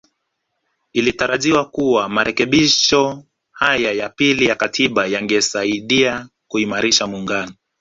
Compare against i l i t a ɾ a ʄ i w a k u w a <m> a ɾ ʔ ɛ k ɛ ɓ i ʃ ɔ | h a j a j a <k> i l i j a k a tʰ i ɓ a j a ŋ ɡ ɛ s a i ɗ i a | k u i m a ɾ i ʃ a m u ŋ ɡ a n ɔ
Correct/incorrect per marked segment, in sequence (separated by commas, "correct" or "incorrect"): correct, incorrect